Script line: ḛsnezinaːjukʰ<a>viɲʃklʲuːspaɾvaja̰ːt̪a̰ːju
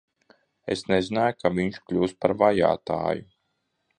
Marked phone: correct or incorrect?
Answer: correct